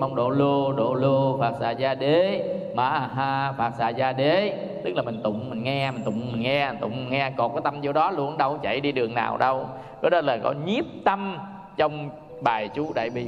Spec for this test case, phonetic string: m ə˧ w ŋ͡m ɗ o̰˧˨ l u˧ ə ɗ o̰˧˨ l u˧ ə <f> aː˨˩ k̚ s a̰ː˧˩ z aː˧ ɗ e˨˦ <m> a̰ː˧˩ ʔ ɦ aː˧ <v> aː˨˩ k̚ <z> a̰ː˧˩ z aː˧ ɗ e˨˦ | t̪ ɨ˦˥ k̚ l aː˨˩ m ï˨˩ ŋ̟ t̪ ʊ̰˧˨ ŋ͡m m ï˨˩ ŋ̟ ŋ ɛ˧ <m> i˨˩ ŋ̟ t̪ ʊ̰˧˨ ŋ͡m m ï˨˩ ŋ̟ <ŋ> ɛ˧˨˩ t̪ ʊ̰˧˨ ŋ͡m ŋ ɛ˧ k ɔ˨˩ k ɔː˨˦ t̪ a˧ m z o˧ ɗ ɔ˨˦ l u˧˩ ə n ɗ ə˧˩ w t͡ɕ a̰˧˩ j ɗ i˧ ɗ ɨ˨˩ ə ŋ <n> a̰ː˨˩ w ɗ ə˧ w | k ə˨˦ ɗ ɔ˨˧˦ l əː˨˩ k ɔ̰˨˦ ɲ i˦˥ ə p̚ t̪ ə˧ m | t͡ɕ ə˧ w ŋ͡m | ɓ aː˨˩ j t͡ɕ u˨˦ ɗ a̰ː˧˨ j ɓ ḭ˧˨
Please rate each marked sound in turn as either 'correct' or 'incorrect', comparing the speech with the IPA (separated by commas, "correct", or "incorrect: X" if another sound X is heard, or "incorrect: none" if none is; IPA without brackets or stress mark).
correct, correct, incorrect: f, incorrect: s, correct, correct, correct